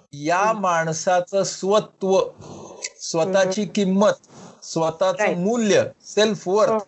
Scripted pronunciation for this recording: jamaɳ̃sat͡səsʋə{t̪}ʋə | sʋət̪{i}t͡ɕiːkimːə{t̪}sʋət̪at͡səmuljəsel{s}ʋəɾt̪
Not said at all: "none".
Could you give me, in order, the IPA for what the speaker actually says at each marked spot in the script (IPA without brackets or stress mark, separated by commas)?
t̪, a, t̪, f